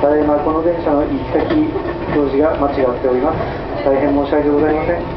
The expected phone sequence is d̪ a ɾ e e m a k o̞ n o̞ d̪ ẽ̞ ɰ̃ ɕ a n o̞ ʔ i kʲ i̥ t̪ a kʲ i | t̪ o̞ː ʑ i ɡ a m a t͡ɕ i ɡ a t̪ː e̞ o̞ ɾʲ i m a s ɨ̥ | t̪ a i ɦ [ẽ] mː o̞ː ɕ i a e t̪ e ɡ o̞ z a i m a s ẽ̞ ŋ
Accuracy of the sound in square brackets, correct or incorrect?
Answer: correct